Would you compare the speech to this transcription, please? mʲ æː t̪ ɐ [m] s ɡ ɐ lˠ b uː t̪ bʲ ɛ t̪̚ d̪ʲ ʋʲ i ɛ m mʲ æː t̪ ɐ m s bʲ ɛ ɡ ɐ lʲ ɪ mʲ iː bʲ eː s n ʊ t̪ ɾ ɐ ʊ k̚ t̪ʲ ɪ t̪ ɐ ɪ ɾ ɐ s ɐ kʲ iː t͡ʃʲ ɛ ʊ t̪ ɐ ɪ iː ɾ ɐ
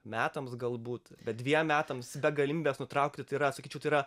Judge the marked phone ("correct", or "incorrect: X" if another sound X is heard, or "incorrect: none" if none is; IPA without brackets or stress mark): correct